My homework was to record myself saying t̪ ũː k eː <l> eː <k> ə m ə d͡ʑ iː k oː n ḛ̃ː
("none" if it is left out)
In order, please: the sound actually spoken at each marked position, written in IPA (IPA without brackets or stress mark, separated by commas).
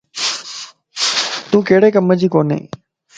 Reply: ɽ, k